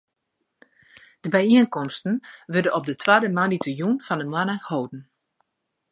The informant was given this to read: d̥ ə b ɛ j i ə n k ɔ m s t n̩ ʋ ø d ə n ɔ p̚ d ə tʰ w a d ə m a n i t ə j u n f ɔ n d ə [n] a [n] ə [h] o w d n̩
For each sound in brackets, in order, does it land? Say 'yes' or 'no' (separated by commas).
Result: no, yes, yes